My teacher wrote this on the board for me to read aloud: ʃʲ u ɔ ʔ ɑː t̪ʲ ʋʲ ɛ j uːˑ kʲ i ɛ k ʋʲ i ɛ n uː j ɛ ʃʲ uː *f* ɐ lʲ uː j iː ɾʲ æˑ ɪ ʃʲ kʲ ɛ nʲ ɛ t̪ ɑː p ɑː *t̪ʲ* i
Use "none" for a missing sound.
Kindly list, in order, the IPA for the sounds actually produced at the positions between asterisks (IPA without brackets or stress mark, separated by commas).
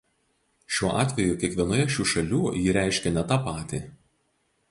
ʃ, t̪ʲ